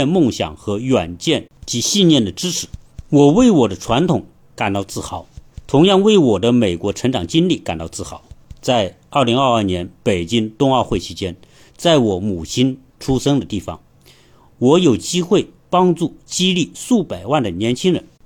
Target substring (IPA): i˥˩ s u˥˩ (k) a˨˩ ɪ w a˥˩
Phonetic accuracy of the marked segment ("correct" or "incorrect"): incorrect